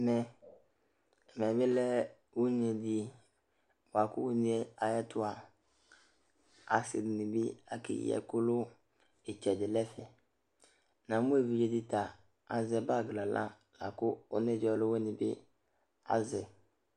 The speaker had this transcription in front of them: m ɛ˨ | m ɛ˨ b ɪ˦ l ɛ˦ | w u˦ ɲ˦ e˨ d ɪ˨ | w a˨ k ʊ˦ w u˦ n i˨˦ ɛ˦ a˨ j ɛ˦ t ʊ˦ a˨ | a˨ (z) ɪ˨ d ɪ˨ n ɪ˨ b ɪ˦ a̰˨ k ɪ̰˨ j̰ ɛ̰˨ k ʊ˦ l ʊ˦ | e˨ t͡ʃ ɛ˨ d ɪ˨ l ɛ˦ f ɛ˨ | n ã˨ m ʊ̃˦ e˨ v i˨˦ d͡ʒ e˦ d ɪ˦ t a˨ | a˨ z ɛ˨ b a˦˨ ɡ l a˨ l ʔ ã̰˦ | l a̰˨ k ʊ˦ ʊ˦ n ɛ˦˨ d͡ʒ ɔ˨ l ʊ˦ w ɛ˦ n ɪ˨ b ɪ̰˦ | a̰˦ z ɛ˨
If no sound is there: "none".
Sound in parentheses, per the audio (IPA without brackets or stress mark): s